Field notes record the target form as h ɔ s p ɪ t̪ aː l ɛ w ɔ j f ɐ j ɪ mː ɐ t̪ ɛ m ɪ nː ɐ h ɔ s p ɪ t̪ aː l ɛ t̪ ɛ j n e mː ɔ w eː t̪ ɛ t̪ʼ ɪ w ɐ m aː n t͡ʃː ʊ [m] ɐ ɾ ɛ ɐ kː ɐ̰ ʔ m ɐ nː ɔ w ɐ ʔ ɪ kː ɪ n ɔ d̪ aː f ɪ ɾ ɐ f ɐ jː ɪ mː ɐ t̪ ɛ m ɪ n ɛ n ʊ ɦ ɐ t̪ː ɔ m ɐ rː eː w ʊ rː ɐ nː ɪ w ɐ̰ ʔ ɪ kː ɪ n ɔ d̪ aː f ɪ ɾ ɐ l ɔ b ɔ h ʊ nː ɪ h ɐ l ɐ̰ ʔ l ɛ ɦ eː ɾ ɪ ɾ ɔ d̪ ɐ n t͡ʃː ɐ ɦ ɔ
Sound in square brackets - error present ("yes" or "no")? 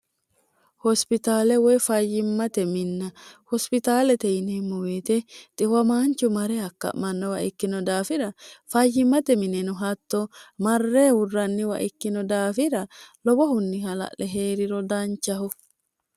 no